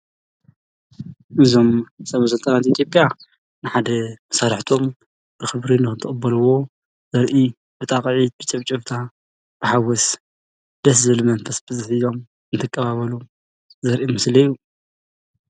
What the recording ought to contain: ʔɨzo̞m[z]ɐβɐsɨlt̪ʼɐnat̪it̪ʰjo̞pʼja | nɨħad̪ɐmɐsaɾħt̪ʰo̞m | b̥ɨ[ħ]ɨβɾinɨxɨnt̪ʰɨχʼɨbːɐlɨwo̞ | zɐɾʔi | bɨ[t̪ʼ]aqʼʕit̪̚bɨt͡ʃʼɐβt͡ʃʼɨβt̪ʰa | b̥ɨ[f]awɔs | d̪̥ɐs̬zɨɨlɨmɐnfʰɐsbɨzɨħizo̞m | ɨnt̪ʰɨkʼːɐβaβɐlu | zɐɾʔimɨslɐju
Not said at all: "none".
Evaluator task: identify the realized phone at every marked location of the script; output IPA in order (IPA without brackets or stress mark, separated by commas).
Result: s, x, t̪ʼ, ħ